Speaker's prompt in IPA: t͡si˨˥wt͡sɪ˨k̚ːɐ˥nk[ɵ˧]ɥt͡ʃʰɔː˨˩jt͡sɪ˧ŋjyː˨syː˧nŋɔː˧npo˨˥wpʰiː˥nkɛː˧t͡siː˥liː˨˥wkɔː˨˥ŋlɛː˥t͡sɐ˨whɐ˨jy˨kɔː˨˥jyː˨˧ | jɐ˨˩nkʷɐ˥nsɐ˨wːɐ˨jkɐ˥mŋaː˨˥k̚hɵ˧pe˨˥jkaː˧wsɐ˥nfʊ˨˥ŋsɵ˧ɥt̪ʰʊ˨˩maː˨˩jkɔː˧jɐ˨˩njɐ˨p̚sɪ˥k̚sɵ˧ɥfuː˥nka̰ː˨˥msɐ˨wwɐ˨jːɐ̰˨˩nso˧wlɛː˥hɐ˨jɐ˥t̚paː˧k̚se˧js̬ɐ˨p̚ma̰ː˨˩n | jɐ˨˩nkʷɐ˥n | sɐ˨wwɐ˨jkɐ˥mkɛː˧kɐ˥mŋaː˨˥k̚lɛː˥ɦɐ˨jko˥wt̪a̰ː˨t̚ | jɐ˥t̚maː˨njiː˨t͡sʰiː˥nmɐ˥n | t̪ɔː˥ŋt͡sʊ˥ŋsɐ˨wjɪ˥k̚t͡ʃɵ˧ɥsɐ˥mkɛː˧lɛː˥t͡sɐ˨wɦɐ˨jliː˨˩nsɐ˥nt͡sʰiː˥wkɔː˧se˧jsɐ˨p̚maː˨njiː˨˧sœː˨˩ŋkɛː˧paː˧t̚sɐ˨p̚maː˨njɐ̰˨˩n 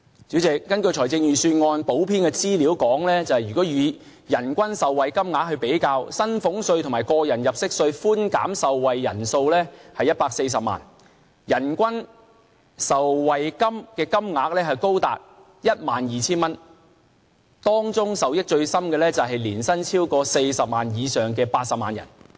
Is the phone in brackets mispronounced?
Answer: no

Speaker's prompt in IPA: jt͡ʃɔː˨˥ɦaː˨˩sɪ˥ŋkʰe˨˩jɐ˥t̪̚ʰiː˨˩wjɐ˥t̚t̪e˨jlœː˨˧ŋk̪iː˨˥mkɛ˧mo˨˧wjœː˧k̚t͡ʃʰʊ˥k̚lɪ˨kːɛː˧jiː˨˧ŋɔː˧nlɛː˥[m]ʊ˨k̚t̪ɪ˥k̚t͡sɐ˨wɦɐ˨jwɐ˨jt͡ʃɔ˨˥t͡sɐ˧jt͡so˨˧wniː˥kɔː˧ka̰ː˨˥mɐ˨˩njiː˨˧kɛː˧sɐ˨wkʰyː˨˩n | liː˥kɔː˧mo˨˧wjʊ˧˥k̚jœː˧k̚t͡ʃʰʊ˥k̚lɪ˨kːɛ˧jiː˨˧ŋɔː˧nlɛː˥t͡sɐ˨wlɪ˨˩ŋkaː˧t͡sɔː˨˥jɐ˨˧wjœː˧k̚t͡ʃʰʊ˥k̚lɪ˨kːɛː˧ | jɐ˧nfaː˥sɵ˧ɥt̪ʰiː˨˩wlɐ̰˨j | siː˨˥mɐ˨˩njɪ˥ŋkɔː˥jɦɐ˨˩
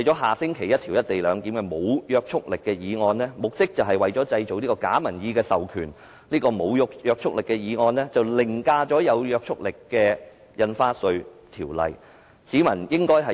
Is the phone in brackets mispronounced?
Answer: no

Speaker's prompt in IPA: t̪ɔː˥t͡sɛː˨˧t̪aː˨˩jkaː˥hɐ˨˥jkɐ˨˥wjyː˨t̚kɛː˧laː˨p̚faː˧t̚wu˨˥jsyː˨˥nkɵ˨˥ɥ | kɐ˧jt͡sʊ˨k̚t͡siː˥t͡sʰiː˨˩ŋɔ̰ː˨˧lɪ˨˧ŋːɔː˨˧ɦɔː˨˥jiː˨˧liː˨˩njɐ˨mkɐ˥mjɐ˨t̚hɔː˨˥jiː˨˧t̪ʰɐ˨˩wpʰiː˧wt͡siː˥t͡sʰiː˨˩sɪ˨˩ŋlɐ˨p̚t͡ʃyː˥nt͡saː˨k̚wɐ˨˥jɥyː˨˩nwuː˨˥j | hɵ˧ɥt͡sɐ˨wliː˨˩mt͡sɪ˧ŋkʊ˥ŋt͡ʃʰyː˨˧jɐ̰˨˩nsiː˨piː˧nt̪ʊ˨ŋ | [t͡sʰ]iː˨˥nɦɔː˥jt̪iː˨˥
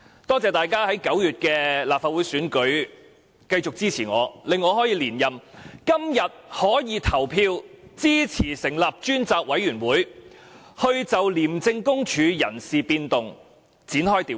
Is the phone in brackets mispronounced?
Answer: yes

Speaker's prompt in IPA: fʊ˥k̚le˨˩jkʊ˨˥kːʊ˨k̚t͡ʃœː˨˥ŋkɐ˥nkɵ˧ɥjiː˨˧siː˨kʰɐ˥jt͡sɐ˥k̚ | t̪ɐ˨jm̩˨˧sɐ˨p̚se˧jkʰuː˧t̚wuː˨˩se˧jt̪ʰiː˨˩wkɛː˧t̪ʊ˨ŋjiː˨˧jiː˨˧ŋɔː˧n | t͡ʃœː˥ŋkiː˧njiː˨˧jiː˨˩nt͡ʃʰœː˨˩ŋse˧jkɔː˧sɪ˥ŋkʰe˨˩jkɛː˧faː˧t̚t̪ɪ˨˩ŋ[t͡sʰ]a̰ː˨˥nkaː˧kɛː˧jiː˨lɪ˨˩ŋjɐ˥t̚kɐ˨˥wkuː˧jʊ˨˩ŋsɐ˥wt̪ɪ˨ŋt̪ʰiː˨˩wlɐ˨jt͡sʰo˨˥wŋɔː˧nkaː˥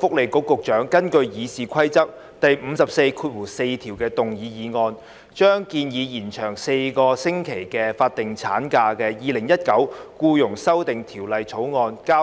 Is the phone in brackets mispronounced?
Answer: no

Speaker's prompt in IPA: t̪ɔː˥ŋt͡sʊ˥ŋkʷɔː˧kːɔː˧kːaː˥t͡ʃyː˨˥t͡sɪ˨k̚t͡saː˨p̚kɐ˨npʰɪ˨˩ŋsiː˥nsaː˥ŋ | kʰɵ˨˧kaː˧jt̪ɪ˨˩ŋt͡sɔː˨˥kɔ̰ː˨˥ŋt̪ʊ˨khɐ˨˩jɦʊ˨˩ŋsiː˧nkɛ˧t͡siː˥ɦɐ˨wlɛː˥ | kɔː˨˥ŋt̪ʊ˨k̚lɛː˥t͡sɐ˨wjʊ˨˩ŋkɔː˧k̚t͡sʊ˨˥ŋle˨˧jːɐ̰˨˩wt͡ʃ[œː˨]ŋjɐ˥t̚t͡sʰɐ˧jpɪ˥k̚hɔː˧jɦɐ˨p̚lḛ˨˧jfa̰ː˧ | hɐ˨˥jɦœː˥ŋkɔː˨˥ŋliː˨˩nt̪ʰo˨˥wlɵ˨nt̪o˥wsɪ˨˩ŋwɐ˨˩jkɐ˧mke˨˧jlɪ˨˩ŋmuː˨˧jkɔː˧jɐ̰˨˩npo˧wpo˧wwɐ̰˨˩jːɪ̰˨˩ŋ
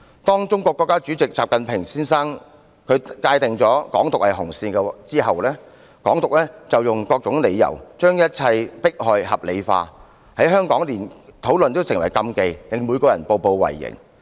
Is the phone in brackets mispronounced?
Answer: yes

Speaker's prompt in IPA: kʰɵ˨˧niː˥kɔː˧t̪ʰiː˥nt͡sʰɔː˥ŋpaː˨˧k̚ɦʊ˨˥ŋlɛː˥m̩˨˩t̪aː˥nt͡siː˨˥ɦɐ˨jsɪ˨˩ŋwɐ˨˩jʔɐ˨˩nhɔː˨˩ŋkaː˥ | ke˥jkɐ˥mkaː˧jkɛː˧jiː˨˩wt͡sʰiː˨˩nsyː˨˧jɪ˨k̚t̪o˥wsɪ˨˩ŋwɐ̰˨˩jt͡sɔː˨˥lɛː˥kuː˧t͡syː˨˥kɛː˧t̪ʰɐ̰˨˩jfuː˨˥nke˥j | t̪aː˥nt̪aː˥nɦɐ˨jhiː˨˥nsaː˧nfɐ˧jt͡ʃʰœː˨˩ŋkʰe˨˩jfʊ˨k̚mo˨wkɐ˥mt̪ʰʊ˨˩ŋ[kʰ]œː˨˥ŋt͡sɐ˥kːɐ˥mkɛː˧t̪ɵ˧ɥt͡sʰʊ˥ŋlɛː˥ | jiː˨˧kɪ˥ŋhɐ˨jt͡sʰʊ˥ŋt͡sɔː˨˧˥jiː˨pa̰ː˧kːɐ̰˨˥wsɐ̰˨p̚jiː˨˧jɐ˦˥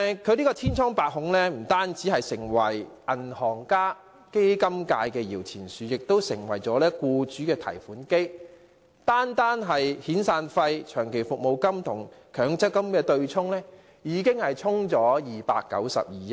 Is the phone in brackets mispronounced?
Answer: no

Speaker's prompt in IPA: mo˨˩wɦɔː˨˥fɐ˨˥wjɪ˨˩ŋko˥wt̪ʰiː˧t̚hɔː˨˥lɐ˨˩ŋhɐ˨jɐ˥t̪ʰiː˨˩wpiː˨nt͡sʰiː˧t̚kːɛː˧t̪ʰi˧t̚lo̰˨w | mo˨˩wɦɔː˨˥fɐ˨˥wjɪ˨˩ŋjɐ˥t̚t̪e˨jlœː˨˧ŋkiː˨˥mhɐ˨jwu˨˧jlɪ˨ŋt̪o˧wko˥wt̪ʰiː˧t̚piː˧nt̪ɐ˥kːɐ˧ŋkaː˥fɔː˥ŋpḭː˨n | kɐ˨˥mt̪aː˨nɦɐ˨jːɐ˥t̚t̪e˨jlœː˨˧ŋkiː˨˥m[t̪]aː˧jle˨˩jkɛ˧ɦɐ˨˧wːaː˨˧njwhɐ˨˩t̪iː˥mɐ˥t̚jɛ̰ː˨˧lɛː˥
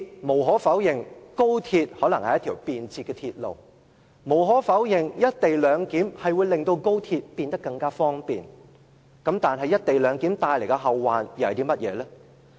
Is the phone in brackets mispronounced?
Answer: no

